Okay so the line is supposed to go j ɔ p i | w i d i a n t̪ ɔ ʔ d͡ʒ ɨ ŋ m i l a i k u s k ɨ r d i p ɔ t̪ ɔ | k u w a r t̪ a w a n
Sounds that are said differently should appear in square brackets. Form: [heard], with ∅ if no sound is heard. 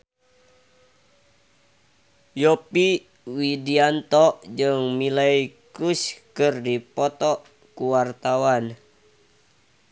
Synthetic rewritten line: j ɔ p i | w i d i a n t̪ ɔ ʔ d͡ʒ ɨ ŋ m i l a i k u s k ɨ r d i p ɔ t̪ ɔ | k u w a r t̪ a w a n